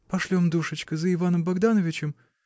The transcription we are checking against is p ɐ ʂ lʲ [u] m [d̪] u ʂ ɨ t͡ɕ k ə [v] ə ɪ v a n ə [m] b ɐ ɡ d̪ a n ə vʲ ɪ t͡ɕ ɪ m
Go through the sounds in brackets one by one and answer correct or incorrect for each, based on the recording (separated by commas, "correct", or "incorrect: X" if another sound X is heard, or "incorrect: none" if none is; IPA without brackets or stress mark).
incorrect: o, correct, incorrect: z, correct